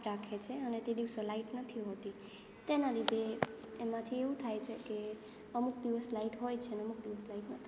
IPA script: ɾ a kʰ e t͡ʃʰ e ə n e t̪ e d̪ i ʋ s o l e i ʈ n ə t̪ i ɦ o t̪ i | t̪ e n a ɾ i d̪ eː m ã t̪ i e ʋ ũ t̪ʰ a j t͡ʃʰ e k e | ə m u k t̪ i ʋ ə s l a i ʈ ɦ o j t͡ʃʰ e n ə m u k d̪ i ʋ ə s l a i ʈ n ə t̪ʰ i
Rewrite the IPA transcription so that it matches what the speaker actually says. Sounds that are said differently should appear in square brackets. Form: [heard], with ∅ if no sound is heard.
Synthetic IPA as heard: ɾ a kʰ e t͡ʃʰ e ə n e t̪ e d̪ i ʋ s o l [a] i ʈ n ə [t̪ʰ] i ɦ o t̪ i | t̪ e n a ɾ i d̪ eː m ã [t̪ʰ] i e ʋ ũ t̪ʰ a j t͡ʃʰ e k e | ə m u k [d̪] i ʋ ə s l a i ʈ ɦ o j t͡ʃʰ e n ə m u k d̪ i ʋ ə s l a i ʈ n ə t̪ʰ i